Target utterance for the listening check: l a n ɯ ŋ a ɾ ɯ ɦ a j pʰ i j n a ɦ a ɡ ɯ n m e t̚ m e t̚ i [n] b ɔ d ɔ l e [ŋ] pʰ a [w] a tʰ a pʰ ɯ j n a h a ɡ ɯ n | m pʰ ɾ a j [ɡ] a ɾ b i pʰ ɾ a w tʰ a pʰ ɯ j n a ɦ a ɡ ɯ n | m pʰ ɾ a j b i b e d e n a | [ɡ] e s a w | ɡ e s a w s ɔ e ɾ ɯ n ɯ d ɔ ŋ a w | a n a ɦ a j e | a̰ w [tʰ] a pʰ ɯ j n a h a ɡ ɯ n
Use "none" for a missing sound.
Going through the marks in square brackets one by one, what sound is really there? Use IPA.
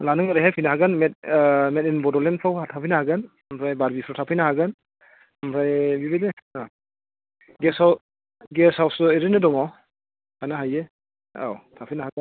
n, n, w, b, ɡ, tʰ

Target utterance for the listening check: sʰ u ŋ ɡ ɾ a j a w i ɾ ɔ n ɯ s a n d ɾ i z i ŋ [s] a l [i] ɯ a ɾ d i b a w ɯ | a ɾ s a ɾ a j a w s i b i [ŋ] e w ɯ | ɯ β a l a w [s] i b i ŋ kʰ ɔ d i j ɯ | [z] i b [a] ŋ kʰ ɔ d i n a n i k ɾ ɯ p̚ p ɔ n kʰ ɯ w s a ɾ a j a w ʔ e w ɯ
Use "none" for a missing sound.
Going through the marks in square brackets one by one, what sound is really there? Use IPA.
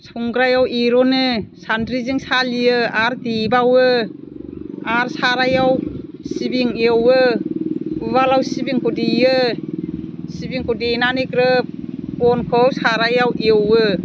s, i, ŋ, s, s, i

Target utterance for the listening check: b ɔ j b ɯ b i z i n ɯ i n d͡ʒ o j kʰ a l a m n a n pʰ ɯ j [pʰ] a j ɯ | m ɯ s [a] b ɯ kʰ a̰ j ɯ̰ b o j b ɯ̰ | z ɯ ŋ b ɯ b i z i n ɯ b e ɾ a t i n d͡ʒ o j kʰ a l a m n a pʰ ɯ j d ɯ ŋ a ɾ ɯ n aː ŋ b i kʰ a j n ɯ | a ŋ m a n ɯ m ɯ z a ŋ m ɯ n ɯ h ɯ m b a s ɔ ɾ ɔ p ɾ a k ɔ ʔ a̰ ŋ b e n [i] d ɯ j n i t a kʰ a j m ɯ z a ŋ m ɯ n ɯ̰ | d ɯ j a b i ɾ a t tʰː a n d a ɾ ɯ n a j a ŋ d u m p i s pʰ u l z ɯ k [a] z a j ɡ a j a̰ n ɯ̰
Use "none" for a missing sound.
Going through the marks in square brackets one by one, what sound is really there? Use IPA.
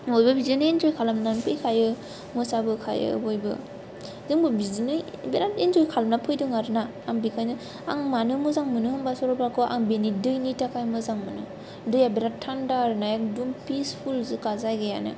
kʰ, a, i, a

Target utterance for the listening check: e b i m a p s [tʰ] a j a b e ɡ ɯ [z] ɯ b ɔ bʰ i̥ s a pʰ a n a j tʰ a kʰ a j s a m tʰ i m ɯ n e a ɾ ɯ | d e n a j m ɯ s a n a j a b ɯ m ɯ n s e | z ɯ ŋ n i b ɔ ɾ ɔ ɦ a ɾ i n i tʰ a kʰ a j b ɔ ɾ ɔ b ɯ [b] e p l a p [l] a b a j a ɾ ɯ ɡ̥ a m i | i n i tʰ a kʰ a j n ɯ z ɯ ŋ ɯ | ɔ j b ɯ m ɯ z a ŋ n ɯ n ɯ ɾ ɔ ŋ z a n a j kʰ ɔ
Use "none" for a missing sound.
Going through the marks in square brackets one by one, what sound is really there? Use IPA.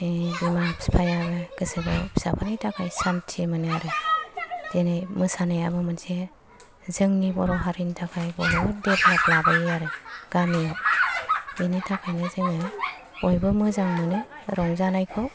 pʰ, s, d, l

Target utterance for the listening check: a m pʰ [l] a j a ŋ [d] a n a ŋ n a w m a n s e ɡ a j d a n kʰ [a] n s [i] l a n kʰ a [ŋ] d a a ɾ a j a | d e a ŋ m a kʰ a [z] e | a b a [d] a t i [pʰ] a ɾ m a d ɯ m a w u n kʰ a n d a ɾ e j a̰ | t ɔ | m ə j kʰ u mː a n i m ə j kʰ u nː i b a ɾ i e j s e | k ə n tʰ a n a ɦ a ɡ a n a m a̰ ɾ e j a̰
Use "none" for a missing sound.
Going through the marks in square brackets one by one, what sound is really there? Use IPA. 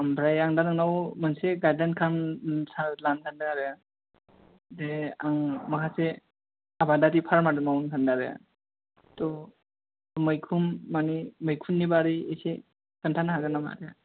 ɾ, d, a, a, n, s, d, pʰ

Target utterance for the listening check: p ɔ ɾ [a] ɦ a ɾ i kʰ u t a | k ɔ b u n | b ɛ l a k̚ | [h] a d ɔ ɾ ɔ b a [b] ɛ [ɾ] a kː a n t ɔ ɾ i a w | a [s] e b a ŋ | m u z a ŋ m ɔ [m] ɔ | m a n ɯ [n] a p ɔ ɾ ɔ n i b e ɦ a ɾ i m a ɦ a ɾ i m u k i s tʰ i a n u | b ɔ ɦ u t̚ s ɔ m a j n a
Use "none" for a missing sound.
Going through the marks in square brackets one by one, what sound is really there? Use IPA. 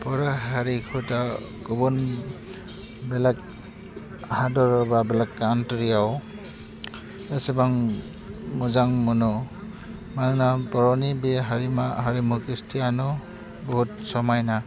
a, h, b, l, s, n, n

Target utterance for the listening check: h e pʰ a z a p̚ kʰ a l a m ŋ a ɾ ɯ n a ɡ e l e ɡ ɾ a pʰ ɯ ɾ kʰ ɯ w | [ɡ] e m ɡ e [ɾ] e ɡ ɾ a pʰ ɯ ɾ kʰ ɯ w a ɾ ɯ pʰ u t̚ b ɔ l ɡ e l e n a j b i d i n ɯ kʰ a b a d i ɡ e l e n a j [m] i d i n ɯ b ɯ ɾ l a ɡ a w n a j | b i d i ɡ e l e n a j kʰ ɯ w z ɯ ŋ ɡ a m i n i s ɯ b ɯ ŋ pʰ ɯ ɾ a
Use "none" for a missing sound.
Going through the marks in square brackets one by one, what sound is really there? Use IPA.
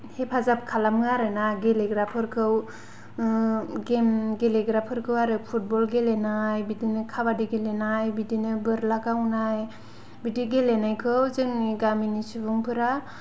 ɡ, l, b

